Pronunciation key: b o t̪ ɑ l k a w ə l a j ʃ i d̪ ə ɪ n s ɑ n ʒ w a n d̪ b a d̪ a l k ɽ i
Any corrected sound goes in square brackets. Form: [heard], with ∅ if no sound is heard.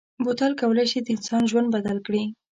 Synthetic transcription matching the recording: b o t̪ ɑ l k a w ə l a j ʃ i d̪ ə ɪ n s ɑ n ʒ w a n d̪ b a d̪ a l k ɽ i